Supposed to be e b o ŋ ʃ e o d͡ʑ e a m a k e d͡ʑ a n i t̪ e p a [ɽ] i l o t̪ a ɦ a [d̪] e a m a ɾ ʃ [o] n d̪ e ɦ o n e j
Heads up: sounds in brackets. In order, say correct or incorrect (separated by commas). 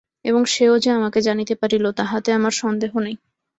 incorrect, incorrect, incorrect